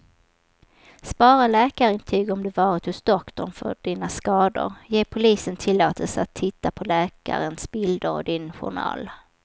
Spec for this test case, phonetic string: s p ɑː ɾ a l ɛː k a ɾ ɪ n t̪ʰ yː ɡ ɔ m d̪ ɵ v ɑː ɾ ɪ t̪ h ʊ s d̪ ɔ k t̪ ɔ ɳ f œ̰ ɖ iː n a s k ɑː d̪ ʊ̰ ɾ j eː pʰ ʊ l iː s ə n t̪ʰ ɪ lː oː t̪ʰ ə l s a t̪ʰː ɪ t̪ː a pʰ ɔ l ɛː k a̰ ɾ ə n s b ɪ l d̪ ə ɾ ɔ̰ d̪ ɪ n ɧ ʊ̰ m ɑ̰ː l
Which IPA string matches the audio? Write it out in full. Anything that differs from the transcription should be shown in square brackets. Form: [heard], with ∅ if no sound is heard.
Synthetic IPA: s p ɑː ɾ a l ɛː k a ɾ ɪ n t̪ʰ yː ɡ ɔ m d̪ ɵ v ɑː ɾ ɪ t̪ h ʊ s d̪ ɔ k t̪ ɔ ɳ f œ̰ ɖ iː n a s k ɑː d̪ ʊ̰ ɾ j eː pʰ ʊ l iː s ə n t̪ʰ ɪ lː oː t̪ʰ ə l s a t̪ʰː ɪ t̪ː a pʰ ɔ l ɛː k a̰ ɾ ə n s b ɪ l d̪ ə ɾ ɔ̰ d̪ ɪ n ɧ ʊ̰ [ɳ] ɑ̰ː l